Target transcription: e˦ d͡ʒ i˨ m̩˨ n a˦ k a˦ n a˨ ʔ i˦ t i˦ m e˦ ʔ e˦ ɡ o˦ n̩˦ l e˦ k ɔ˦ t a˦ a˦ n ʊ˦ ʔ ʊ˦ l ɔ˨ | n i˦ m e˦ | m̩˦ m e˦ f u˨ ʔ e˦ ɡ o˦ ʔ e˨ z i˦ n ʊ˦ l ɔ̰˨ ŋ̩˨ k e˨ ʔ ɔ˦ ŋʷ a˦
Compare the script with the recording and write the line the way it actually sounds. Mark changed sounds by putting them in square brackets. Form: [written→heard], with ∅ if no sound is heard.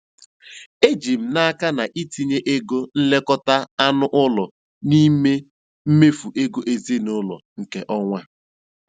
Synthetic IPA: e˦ d͡ʒ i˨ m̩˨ n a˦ k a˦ n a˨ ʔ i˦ t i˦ [m→ɲ] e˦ ʔ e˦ ɡ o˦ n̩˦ l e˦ k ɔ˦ t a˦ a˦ n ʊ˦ ʔ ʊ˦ l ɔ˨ | n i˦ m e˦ | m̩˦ m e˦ f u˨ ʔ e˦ ɡ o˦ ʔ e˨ z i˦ n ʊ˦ l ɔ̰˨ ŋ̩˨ k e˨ ʔ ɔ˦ ŋʷ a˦